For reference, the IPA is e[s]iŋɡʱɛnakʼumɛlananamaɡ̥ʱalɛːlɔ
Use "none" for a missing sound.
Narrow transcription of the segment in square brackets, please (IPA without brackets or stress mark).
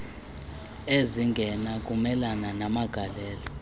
z